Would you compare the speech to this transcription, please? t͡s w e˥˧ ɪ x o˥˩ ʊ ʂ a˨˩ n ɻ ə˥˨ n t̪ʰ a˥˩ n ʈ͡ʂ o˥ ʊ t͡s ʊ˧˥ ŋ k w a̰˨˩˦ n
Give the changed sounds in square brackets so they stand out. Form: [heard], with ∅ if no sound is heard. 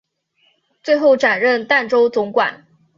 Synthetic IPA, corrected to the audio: t͡s w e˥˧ ɪ x o˥˩ ʊ [ʈ͡ʂ] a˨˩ n ɻ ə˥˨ n [t̪] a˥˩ n ʈ͡ʂ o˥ ʊ t͡s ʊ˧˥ ŋ k w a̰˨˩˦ n